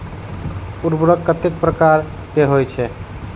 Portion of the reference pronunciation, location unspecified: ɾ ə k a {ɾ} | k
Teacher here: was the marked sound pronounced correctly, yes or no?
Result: yes